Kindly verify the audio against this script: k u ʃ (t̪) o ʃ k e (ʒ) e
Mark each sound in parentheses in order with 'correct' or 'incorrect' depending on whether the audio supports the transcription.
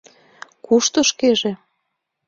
correct, correct

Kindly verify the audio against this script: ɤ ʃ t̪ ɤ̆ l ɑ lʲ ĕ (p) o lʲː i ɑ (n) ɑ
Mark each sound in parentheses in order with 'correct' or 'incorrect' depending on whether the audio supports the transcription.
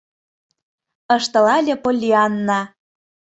correct, incorrect: nː

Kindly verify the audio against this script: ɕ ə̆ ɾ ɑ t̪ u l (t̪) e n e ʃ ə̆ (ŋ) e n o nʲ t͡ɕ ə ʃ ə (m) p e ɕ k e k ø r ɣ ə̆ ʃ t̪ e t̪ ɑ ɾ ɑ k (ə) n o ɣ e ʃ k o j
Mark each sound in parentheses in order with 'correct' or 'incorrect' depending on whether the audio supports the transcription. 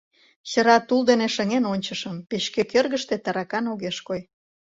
incorrect: d̪, correct, correct, incorrect: ɑ

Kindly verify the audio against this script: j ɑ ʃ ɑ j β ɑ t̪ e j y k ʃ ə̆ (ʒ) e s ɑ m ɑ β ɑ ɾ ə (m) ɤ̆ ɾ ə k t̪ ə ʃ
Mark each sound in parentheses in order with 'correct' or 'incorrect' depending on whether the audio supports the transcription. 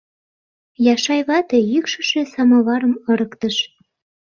incorrect: ʃ, correct

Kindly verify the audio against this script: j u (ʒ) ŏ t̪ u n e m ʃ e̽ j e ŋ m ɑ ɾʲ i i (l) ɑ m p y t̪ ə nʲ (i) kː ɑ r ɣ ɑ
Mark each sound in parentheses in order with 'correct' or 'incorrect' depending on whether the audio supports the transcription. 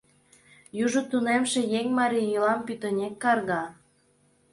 correct, correct, incorrect: e

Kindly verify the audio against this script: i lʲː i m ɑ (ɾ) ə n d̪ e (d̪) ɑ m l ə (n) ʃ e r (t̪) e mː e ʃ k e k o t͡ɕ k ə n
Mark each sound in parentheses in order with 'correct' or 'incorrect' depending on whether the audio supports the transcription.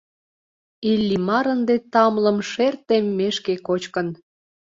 correct, incorrect: t̪, incorrect: m, correct

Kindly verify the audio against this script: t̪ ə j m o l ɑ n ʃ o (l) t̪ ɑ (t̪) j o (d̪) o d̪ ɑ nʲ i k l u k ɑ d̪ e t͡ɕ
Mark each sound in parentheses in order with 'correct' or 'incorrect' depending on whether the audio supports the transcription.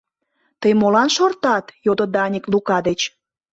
incorrect: r, correct, correct

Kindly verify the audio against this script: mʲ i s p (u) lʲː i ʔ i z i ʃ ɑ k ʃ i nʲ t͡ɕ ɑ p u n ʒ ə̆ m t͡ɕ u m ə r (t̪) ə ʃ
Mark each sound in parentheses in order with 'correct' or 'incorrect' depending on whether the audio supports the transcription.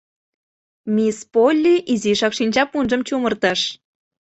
incorrect: o, correct

